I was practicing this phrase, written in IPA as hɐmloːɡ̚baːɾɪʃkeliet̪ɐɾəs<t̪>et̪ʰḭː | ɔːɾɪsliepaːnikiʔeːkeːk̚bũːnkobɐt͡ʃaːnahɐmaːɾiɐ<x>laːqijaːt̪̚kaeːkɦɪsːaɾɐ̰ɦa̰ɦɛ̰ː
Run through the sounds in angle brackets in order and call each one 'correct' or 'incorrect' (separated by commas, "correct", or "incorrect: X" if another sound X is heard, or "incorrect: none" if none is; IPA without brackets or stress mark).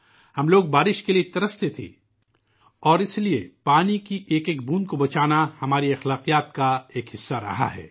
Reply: correct, correct